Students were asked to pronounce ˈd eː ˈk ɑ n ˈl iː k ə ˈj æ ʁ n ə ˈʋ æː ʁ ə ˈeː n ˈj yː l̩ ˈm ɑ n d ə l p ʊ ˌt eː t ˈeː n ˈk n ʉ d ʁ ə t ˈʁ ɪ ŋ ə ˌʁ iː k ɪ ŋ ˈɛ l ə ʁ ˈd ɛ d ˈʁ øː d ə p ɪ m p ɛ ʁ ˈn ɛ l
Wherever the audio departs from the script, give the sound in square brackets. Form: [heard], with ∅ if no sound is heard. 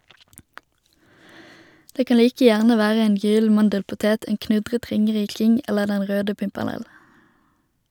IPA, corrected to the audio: ˈd eː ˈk ɑ n ˈl iː k ə ˈj æ ʁ n ə ˈʋ æː ʁ ə ˈeː n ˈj yː l̩ ˈm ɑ n d ə l p ʊ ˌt eː t ˈeː n ˈk n ʉ d ʁ ə t ˈʁ ɪ ŋ ə ˌʁ iː k ɪ ŋ ˈɛ l ə ʁ ˈd ɛ [n] ˈʁ øː d ə p ɪ m p ɛ ʁ ˈn ɛ l